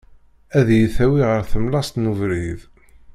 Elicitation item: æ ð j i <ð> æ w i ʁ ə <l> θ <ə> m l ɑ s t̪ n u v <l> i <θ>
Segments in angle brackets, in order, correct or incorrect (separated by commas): incorrect, incorrect, correct, incorrect, incorrect